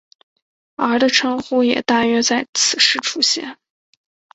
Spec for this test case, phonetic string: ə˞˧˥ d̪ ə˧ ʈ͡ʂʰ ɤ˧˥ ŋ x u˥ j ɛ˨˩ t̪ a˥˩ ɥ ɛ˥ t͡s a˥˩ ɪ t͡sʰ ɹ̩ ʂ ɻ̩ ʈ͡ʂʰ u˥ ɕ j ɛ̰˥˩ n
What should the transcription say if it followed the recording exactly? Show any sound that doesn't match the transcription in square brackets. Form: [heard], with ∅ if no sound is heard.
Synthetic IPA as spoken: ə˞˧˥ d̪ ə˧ ʈ͡ʂʰ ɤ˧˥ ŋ x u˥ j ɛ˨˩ t̪ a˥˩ ɥ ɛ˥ t͡s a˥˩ ɪ t͡sʰ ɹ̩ ʂ ɻ̩ ʈ͡ʂʰ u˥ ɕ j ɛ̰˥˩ n